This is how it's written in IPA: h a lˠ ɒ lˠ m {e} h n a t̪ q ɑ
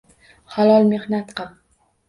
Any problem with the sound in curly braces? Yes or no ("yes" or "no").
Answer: no